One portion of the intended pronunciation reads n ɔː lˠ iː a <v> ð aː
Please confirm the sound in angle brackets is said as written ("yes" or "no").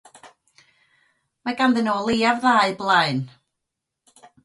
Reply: yes